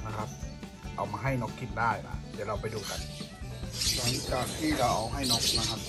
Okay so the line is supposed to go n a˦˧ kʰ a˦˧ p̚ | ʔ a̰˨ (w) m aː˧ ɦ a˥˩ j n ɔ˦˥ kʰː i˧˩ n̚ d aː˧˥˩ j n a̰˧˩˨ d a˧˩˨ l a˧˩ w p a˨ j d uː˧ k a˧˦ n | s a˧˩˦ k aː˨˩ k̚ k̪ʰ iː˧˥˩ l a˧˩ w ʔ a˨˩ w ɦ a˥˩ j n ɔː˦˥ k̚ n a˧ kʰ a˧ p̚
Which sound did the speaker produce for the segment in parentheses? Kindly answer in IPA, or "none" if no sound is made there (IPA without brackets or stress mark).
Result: w